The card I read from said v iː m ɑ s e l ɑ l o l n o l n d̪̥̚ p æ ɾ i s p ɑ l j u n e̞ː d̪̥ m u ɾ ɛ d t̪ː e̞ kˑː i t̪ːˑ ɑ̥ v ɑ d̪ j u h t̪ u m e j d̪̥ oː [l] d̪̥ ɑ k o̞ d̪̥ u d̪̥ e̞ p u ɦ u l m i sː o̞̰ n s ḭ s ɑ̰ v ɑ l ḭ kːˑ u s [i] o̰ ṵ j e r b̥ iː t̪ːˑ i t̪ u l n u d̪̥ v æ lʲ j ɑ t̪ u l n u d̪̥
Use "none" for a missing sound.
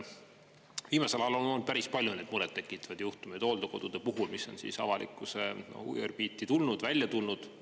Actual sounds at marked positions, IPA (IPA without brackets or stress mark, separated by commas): l, e